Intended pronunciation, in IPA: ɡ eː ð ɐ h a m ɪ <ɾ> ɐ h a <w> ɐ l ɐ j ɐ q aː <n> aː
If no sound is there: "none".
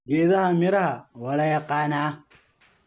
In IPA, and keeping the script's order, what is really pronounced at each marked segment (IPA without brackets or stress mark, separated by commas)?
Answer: ɾ, w, n